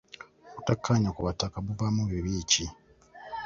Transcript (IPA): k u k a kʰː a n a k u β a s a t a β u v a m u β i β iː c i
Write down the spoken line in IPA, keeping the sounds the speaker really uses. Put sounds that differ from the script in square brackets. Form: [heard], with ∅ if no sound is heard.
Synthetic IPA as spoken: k u [t] a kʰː a [ɲ] a k u β a [t] a [k] a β u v a m u β i β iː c i